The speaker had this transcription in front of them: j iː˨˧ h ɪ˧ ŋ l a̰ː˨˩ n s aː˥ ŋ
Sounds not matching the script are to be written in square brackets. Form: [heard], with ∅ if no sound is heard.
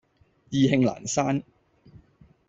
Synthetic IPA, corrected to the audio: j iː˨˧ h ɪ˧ ŋ l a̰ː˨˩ n s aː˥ [n]